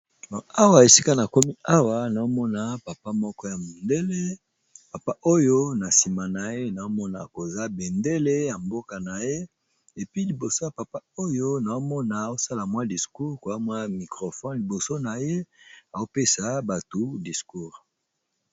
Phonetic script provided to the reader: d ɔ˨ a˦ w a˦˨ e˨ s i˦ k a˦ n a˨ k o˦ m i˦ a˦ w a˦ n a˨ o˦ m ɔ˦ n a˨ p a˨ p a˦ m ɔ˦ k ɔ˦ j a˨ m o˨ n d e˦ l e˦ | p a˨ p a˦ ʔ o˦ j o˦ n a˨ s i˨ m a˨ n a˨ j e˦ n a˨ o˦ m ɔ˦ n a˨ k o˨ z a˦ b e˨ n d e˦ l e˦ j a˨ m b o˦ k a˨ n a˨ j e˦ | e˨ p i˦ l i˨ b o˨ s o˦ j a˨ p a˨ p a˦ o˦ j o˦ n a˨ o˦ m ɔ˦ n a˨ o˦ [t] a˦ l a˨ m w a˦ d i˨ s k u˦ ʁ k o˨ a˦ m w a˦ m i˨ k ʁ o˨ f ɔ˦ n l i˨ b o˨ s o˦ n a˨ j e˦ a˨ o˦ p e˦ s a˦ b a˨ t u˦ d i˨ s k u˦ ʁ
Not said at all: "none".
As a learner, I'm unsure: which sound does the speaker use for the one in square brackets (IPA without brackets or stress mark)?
s